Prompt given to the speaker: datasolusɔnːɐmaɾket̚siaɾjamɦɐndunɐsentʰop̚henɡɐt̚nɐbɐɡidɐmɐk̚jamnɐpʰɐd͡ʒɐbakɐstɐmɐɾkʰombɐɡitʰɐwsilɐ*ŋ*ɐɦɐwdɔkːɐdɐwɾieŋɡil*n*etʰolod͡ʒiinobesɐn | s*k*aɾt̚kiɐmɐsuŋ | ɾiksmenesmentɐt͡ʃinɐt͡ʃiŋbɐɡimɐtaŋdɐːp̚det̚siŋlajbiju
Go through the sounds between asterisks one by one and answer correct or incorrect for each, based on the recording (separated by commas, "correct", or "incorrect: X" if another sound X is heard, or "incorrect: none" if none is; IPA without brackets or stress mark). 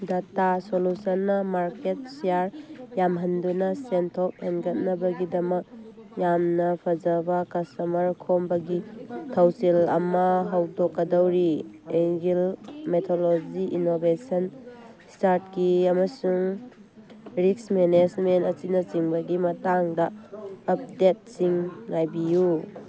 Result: incorrect: m, incorrect: m, incorrect: t